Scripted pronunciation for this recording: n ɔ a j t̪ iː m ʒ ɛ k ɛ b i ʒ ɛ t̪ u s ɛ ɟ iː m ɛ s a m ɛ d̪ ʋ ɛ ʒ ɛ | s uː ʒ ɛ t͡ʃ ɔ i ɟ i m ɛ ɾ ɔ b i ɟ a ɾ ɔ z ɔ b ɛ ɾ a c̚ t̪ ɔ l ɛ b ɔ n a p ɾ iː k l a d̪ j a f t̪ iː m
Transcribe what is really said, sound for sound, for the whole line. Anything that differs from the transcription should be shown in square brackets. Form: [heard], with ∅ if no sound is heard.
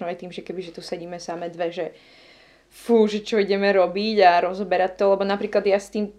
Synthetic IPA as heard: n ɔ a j t̪ iː m ʒ ɛ k ɛ b i ʒ ɛ t̪ u s ɛ ɟ iː m ɛ s a m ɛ d̪ ʋ ɛ ʒ ɛ | [f] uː ʒ ɛ t͡ʃ ɔ i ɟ [ɛ] m ɛ ɾ ɔ b i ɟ a ɾ ɔ z ɔ b ɛ ɾ a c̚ t̪ ɔ l ɛ b ɔ n a p ɾ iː k l a d̪ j a [s] t̪ iː m